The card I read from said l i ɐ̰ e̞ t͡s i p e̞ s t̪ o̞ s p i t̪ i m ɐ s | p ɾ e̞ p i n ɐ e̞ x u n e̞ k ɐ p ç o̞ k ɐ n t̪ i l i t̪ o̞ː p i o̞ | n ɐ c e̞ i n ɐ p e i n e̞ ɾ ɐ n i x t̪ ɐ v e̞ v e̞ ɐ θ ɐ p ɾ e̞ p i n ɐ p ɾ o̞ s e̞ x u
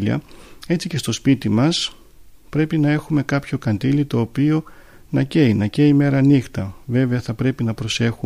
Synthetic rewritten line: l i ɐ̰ e̞ t͡s i c e̞ s t̪ o̞ s p i t̪ i m ɐ s | p ɾ e̞ p i n ɐ e̞ x u m e̞ k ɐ p ç o̞ k ɐ n d̪ i l i t̪ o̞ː p i o̞ | n ɐ c e̞ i n ɐ c e i m e̞ ɾ ɐ n i x t̪ ɐ v e̞ v e̞ ɐ θ ɐ p ɾ e̞ p i n ɐ p ɾ o̞ s e̞ x u